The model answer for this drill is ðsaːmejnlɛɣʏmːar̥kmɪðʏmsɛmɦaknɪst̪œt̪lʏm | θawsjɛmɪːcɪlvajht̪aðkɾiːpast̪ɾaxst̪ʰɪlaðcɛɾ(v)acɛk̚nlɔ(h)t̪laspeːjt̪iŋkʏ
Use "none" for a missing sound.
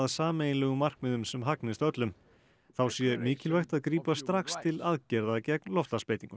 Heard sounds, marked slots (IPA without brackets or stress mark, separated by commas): ð, f